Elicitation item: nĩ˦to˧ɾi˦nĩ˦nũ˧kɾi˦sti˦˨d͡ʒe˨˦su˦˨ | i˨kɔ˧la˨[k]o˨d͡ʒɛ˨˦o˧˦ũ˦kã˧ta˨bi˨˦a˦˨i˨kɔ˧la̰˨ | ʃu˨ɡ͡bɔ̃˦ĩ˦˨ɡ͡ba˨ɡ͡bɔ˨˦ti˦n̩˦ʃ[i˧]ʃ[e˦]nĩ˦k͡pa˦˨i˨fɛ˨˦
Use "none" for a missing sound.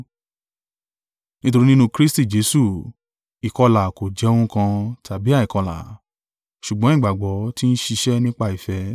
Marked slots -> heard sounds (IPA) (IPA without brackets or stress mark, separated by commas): k, i˧, ɛ˦